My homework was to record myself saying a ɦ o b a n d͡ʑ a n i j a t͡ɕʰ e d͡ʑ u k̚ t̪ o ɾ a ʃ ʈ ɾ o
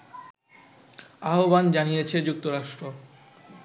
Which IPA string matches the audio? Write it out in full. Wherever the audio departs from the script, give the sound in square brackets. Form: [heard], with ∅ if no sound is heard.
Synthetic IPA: a ɦ o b a n d͡ʑ a n i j [e] t͡ɕʰ e d͡ʑ u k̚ t̪ o ɾ a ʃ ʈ ɾ o